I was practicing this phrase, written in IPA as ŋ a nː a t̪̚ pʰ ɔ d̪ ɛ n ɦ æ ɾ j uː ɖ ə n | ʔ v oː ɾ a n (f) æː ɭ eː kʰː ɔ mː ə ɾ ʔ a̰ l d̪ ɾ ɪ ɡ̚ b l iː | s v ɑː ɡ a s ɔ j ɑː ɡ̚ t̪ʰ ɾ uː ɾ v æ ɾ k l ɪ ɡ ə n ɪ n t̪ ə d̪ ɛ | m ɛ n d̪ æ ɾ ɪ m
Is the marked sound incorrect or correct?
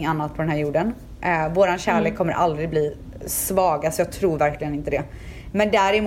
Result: incorrect